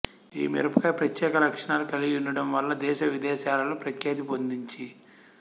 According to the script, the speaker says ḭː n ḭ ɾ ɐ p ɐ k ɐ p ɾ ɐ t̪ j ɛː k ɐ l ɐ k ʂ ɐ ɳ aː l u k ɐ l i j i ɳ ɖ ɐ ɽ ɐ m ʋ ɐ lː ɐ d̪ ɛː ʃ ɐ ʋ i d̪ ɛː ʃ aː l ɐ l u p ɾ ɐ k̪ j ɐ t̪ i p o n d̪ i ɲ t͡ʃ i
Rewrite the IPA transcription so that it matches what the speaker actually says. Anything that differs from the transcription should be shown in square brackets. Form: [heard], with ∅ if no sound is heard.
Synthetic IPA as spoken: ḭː [m] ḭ ɾ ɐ p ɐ k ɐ p ɾ ɐ t̪ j ɛː k ɐ l ɐ k ʂ ɐ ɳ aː l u k ɐ l i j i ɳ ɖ ɐ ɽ ɐ m ʋ ɐ lː ɐ d̪ ɛː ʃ ɐ ʋ i d̪ ɛː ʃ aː l ɐ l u p ɾ ɐ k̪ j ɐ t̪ i p o n d̪ i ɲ t͡ʃ i